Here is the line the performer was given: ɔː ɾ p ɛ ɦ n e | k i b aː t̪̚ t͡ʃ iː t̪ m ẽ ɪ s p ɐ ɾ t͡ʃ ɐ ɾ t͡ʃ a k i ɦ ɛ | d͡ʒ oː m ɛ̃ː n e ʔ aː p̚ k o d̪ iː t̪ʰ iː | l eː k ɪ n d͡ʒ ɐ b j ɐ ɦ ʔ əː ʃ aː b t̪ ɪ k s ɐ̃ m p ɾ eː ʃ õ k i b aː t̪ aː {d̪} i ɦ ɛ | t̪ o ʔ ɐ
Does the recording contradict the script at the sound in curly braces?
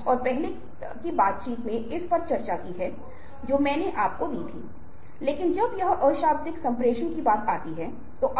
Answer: yes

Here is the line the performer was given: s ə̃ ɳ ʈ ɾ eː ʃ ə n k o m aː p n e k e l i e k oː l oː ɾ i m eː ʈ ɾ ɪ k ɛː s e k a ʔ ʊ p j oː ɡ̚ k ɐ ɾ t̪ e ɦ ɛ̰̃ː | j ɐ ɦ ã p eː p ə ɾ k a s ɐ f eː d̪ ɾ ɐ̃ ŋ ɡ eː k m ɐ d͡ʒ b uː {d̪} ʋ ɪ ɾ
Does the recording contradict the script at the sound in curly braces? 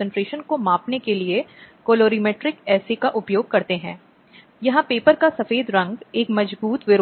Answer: yes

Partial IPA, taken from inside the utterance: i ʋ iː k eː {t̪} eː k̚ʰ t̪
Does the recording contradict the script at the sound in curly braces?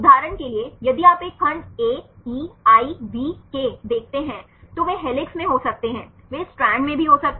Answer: yes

